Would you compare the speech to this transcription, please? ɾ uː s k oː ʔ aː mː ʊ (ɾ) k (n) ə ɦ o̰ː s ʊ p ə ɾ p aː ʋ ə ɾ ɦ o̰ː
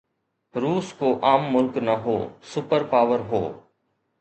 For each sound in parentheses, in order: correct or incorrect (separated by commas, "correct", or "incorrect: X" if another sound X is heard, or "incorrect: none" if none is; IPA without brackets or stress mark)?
incorrect: l, correct